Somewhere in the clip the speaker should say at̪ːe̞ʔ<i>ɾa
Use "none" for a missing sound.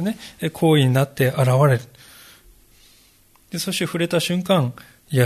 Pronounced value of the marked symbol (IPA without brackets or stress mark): a